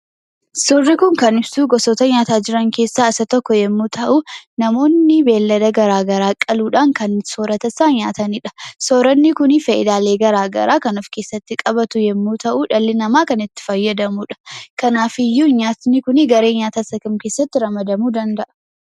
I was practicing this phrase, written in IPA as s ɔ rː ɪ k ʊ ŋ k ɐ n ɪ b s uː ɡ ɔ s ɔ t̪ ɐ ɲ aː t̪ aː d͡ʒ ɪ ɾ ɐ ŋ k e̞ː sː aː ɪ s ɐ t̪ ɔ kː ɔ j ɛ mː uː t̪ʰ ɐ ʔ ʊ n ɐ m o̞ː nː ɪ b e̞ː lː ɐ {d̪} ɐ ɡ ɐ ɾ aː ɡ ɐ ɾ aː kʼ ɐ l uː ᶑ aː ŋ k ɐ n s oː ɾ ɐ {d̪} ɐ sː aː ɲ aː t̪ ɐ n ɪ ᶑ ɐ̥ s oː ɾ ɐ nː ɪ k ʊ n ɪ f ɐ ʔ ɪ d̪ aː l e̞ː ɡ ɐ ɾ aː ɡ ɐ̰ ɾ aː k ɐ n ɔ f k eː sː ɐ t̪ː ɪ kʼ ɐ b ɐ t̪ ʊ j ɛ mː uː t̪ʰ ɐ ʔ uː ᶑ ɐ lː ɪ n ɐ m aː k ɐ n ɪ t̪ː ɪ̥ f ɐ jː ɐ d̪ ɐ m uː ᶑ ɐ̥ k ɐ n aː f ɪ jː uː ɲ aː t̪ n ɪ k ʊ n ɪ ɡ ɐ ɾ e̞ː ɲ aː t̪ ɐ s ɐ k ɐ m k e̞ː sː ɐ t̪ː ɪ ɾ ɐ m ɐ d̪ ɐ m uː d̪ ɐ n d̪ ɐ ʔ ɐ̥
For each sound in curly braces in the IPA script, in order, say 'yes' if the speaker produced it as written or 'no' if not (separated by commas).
yes, no